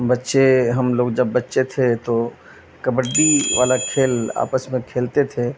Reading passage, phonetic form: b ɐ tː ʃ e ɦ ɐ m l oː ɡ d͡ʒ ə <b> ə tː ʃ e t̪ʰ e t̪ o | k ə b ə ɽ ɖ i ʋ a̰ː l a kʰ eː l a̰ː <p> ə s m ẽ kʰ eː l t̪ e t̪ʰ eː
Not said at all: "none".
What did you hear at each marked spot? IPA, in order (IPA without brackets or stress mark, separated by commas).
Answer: bː, p